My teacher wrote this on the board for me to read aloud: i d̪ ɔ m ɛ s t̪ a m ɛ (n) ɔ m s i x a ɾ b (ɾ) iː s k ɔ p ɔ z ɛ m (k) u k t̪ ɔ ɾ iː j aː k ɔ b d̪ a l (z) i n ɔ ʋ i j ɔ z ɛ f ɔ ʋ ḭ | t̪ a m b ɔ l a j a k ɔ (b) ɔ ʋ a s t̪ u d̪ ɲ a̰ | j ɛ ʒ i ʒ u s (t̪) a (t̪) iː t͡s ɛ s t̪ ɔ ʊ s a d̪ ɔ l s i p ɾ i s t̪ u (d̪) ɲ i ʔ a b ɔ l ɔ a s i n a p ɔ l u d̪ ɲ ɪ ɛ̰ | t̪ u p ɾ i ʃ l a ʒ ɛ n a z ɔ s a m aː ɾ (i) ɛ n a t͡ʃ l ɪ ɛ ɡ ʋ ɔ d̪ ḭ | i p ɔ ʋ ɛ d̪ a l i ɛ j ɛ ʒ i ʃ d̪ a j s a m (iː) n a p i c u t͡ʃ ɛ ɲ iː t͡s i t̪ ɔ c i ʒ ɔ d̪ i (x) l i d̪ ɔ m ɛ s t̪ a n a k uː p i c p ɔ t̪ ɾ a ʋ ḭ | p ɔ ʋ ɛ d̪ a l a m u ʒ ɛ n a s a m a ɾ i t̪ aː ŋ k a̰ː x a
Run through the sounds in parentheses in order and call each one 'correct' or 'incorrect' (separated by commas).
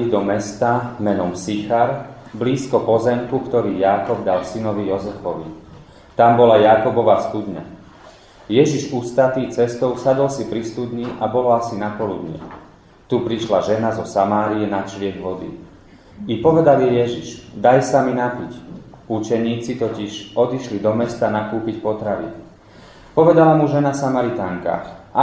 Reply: correct, incorrect, correct, incorrect, correct, correct, correct, correct, correct, incorrect, incorrect